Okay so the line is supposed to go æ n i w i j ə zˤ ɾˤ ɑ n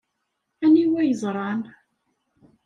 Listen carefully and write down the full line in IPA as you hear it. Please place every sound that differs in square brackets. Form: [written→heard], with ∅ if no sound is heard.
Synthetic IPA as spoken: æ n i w [i→æ] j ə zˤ ɾˤ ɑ n